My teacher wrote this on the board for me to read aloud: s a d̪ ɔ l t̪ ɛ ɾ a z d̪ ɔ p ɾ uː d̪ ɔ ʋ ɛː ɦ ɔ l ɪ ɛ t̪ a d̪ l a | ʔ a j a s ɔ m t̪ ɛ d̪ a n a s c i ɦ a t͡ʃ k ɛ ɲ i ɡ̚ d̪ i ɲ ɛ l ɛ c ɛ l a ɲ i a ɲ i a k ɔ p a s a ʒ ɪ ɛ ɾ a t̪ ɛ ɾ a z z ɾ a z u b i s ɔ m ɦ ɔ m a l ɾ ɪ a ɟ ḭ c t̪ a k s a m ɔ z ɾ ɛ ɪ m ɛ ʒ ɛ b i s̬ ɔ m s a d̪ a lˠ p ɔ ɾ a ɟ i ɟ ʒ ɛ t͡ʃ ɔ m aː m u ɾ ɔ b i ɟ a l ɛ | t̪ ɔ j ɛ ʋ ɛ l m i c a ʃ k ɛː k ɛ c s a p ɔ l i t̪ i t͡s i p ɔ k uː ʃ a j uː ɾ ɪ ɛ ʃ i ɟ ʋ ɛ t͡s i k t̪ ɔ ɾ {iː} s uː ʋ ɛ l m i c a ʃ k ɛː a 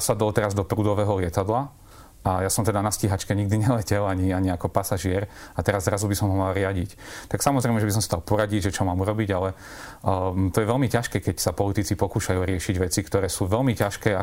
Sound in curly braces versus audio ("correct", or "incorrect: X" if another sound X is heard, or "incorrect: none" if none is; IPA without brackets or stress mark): incorrect: ɛː